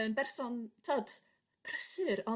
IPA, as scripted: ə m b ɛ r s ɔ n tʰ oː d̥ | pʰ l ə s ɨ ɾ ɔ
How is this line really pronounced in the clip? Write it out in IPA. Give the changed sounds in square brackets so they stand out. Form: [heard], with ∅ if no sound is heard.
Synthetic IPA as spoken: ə [n] b ɛ r s ɔ n tʰ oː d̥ | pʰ [r] ə s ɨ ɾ ɔ